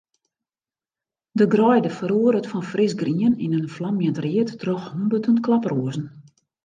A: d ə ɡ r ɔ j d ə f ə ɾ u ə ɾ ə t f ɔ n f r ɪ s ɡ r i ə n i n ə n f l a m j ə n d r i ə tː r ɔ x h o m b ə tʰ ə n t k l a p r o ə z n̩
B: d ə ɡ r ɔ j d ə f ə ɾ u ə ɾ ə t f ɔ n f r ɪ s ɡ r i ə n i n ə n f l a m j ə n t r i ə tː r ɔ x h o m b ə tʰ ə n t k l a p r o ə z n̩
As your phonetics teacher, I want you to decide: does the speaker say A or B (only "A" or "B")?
B